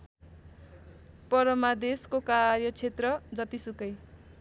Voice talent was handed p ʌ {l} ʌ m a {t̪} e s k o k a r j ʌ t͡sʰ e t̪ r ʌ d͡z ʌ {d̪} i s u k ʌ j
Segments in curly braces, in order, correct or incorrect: incorrect: ɾ, incorrect: d̪, incorrect: t̪

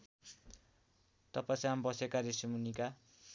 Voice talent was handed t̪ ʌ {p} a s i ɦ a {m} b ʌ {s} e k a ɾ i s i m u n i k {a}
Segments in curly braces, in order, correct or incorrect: correct, correct, correct, correct

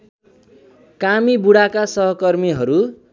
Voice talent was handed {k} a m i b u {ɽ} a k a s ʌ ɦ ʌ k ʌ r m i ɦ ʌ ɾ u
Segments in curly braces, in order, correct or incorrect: correct, correct

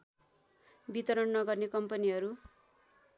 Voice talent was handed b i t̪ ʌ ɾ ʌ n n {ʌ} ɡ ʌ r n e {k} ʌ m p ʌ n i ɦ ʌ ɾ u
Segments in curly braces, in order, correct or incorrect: correct, correct

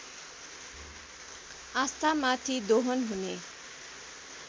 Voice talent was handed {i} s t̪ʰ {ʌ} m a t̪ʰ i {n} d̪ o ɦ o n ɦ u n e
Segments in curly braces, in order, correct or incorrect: incorrect: a, incorrect: a, incorrect: none

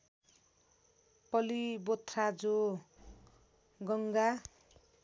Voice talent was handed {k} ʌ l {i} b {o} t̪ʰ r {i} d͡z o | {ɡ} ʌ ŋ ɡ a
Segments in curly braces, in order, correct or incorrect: incorrect: p, correct, correct, incorrect: a, correct

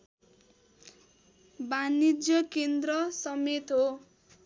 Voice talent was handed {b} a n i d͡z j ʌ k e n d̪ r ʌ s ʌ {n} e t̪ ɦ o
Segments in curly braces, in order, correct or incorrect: correct, incorrect: m

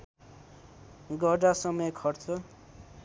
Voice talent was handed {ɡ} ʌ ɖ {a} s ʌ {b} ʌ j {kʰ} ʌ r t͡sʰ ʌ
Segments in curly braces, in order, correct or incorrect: correct, correct, incorrect: m, correct

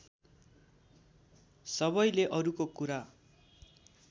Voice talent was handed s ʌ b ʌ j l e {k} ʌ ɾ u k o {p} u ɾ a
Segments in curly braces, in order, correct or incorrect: incorrect: ʔ, incorrect: k

